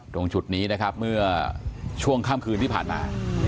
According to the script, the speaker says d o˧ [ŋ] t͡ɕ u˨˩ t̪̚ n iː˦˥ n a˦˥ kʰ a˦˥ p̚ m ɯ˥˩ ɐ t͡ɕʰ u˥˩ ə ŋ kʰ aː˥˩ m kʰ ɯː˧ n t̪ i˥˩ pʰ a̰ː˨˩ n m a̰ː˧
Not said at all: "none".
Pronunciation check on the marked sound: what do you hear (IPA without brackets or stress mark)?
ŋ